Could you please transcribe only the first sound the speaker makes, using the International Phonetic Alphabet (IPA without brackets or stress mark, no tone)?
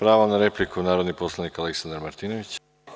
p